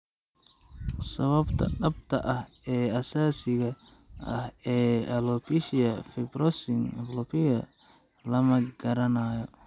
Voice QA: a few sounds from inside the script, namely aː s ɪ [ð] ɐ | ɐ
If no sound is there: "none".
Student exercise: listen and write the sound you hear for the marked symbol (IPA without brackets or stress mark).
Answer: ɣ